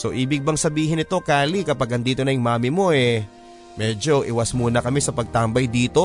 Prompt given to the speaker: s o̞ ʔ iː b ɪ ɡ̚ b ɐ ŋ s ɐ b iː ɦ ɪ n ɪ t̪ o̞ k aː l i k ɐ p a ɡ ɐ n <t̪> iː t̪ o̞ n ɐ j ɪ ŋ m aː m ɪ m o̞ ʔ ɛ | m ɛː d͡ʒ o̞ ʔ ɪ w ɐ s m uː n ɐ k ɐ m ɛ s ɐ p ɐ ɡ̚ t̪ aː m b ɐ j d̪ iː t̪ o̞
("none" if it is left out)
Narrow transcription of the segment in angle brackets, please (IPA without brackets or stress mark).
d̪